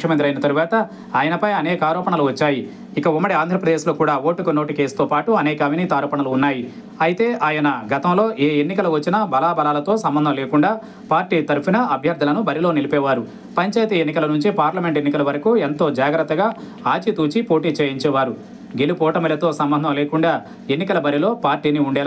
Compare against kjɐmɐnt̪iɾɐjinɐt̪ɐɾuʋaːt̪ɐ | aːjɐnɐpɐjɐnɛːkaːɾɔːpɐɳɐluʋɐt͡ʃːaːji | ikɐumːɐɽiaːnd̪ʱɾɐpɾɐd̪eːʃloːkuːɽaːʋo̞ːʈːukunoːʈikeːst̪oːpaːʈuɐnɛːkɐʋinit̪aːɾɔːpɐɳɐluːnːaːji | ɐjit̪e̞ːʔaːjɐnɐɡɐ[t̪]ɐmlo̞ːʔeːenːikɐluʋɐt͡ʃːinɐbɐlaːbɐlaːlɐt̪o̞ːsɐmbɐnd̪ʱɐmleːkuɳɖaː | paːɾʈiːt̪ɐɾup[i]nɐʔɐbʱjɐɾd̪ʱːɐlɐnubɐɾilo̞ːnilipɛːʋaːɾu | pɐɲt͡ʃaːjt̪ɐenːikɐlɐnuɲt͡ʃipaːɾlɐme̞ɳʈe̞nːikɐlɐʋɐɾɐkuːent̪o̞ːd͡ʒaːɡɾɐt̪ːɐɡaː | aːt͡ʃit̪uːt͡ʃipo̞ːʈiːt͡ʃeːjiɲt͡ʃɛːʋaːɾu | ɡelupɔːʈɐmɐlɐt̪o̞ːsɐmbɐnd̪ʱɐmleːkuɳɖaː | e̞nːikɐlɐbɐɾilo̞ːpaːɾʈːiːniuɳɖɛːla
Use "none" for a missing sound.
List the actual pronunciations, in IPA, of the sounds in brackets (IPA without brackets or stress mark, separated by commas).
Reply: t̪, i